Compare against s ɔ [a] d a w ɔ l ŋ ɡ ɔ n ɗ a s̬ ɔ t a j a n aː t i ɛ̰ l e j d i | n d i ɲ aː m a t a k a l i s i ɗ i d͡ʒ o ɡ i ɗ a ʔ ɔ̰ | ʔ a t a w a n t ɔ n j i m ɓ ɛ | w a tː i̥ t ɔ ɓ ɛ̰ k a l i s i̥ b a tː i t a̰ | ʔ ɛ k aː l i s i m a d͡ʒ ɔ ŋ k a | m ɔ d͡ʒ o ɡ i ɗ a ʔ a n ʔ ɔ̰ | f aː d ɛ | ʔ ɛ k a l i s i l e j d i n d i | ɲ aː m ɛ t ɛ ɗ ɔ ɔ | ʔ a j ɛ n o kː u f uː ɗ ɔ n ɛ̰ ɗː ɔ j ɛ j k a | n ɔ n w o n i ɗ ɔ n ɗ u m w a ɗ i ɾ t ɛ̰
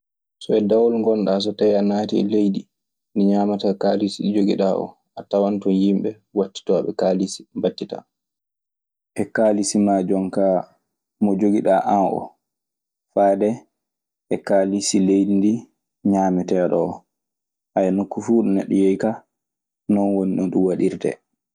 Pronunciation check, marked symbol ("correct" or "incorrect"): incorrect